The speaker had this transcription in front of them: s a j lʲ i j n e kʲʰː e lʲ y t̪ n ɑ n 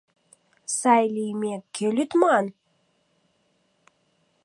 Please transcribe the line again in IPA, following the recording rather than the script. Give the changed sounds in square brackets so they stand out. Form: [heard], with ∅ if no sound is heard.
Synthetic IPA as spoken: s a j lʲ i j [m] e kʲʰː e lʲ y t̪ [m] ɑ n